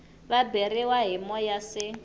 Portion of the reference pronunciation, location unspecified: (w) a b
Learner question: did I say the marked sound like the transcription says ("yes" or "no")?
no